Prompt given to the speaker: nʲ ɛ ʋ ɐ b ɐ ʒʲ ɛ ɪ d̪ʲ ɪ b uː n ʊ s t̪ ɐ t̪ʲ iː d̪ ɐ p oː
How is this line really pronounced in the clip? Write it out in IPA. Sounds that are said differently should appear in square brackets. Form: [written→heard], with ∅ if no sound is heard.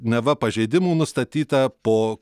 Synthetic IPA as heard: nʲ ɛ ʋ ɐ [b→p] ɐ ʒʲ ɛ ɪ d̪ʲ ɪ [b→m] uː n ʊ s t̪ ɐ t̪ʲ iː [d̪→t̪] ɐ p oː